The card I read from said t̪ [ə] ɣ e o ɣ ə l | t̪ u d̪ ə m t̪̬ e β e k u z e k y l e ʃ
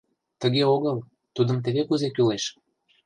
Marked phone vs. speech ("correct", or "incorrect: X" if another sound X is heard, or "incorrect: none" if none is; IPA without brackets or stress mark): correct